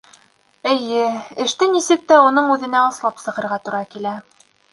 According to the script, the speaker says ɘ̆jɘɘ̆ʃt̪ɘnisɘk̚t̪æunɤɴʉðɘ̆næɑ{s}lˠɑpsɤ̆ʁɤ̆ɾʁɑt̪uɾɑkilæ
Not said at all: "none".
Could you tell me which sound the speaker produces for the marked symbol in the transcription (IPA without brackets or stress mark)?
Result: s